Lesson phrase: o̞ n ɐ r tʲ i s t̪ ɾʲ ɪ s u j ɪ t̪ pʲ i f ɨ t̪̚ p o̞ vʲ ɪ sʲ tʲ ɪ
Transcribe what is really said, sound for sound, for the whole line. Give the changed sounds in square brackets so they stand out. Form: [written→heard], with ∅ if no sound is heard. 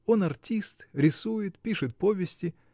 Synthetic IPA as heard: o̞ n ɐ r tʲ i s t̪ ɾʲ ɪ s u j ɪ t̪ pʲ i [f→ʂ] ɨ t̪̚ p o̞ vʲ ɪ sʲ tʲ ɪ